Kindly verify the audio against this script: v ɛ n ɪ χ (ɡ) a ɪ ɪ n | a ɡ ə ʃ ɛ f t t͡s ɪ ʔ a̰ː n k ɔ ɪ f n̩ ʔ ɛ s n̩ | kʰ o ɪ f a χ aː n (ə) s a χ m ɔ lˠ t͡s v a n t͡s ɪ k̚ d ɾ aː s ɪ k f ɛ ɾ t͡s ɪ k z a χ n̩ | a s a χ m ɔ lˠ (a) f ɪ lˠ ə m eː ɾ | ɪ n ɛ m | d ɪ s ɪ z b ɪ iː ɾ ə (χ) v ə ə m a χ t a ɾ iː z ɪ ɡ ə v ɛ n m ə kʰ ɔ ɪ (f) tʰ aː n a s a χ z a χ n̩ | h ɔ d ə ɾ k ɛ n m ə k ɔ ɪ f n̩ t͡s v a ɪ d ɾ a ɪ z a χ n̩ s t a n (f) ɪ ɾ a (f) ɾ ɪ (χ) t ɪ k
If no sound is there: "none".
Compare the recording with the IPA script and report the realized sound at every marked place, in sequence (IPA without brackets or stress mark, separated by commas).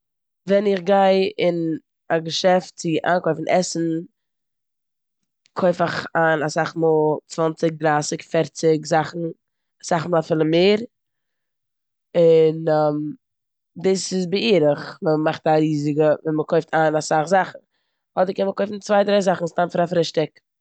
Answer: ɡ, a, a, χ, f, f, f, ʃ